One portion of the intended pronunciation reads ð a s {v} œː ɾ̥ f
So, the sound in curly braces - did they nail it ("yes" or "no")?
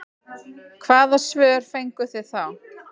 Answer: yes